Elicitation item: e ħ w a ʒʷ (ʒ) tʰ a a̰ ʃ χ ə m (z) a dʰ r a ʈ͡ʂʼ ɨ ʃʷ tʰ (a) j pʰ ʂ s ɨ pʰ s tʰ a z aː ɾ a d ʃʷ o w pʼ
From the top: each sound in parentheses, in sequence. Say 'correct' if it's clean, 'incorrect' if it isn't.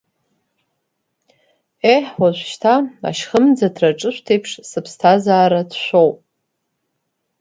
incorrect, incorrect, incorrect

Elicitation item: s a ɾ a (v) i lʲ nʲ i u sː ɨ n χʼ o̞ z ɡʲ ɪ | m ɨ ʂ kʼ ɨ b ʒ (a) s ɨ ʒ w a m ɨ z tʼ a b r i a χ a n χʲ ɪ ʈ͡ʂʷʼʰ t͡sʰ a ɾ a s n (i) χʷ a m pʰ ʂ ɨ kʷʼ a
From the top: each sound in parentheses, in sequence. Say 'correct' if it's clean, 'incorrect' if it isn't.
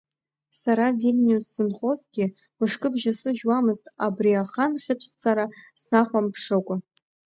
correct, correct, incorrect

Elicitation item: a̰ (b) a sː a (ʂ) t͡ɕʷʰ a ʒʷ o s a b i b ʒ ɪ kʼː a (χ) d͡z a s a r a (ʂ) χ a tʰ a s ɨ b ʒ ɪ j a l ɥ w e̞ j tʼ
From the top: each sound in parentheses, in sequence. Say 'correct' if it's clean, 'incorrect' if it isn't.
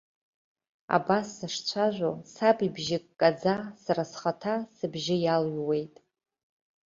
correct, correct, incorrect, incorrect

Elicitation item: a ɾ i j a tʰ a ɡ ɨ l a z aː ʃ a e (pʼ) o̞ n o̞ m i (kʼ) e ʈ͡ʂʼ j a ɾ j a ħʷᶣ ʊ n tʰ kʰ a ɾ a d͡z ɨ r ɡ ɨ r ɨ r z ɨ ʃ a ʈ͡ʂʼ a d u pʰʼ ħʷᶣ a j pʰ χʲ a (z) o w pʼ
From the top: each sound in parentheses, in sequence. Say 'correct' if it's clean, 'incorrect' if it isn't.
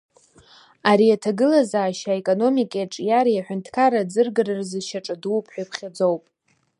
incorrect, correct, incorrect

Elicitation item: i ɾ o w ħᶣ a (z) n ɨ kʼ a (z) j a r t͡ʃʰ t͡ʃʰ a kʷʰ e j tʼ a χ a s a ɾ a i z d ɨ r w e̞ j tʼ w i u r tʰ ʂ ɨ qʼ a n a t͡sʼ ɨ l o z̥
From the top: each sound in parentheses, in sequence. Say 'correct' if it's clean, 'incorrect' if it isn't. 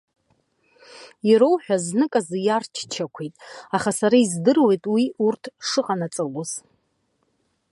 correct, correct

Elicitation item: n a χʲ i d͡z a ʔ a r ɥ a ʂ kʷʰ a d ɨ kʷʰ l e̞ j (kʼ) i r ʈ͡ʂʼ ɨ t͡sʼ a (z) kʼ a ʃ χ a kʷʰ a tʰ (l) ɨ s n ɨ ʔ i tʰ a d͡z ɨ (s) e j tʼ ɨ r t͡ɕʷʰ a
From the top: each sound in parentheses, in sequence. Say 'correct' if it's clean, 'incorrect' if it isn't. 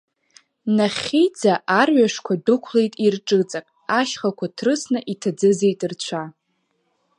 incorrect, incorrect, incorrect, incorrect

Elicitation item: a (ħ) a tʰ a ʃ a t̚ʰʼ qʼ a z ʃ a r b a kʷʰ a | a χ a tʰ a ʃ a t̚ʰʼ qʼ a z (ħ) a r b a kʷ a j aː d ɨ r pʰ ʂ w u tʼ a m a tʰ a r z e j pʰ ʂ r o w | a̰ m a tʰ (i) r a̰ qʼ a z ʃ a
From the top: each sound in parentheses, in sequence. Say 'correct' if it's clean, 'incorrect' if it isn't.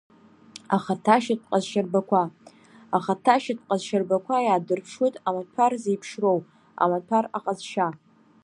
incorrect, incorrect, incorrect

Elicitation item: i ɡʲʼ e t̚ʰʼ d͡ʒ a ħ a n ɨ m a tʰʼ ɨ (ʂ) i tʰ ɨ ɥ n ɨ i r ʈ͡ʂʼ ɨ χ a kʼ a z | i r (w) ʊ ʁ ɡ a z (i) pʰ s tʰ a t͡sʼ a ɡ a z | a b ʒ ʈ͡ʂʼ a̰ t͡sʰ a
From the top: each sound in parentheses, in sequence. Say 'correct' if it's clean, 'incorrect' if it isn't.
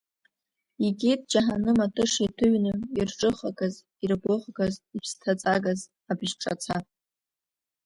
correct, incorrect, correct

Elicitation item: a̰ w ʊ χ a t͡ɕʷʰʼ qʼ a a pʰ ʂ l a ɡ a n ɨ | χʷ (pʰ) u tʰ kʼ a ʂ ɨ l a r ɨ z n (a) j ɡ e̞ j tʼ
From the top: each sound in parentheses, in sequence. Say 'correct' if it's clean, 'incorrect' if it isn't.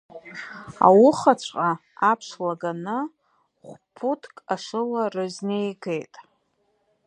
correct, incorrect

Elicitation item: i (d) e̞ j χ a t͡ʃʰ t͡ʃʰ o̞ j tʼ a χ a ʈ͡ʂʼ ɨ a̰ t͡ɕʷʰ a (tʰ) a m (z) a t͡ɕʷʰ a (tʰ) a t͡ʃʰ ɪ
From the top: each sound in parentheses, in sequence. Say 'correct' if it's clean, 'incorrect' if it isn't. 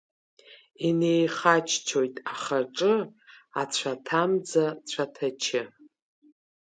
incorrect, correct, incorrect, correct

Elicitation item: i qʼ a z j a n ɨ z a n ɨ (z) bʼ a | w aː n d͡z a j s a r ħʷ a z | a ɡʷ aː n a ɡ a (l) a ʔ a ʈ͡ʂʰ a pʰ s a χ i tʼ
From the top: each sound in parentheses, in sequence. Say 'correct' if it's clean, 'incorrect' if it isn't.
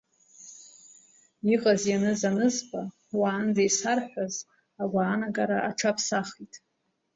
correct, incorrect

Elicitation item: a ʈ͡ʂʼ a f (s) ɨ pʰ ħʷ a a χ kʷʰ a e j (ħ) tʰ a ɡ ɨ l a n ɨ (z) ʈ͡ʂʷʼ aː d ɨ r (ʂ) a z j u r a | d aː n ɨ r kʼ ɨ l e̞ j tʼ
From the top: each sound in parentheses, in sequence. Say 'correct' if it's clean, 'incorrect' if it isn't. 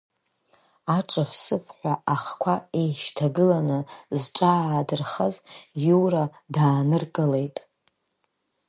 correct, incorrect, correct, incorrect

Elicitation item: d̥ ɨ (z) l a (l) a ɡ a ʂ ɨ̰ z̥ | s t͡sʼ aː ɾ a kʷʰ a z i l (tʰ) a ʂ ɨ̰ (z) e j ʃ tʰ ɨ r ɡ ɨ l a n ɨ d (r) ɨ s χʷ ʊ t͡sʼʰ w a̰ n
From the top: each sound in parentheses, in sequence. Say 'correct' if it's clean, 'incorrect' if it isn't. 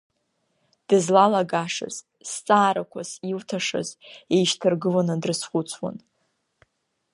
correct, correct, correct, correct, correct

